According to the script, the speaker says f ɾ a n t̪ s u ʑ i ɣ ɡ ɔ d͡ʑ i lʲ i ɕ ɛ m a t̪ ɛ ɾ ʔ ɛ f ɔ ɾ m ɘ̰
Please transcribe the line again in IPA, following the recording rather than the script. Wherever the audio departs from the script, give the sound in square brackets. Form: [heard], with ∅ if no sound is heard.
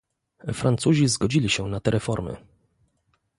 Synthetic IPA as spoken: f ɾ a n t̪ s u ʑ i [z] ɡ ɔ d͡ʑ i lʲ i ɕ ɛ [n] a t̪ ɛ ɾ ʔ ɛ f ɔ ɾ m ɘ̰